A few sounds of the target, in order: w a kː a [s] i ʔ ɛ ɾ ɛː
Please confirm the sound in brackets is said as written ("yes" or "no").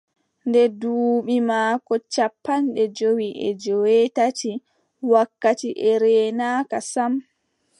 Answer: no